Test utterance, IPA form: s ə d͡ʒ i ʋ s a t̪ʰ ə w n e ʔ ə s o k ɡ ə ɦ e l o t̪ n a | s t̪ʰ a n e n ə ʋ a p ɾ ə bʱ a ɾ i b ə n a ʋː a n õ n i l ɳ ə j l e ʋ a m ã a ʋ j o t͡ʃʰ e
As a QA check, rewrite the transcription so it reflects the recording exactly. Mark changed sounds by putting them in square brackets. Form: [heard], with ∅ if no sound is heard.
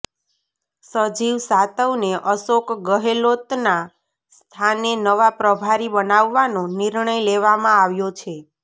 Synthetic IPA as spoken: s ə d͡ʒ i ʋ s a [t̪] ə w n e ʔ ə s o k ɡ ə ɦ e l o t̪ n a | s t̪ʰ a n e n ə ʋ a p ɾ ə bʱ a ɾ i b ə n a ʋː a n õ n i [ɾ] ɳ ə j l e ʋ a m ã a ʋ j o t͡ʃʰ e